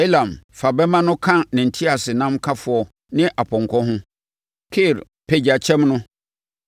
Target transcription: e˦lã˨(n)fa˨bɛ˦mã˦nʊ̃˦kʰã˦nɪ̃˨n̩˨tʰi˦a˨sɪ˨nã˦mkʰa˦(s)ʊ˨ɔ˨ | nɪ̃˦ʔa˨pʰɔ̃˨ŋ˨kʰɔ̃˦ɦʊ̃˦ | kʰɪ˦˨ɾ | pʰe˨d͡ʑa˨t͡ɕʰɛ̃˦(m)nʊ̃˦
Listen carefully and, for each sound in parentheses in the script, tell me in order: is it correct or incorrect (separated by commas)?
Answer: incorrect, incorrect, correct